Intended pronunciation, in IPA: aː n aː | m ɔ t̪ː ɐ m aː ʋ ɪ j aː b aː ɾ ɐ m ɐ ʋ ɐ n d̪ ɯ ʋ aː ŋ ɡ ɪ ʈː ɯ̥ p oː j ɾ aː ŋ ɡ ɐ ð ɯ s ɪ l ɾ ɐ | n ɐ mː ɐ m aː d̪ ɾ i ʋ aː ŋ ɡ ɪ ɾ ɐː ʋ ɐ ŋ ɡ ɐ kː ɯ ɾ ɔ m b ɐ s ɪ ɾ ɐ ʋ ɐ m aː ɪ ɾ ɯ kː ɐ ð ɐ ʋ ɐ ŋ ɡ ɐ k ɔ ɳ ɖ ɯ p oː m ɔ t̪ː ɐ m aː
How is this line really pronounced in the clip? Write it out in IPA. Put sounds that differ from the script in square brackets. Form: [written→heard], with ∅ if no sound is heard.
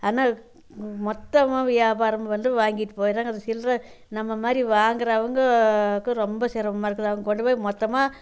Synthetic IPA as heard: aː n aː | m ɔ t̪ː ɐ m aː ʋ ɪ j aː b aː ɾ ɐ m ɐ ʋ ɐ n d̪ ɯ ʋ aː ŋ ɡ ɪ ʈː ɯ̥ p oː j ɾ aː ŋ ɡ ɐ ð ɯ s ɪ l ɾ ɐ | n ɐ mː ɐ m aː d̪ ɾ i ʋ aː ŋ ɡ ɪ ɾ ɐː ʋ ɐ ŋ ɡ ɐ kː ɯ ɾ ɔ m b ɐ s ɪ ɾ ɐ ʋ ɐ m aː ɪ ɾ ɯ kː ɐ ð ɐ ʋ ɐ ŋ ɡ ɐ k ɔ ɳ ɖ ɯ p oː m ɔ t̪ː ɐ m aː